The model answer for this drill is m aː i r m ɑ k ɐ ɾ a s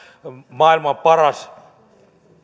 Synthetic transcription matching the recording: m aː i l m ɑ p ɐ ɾ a s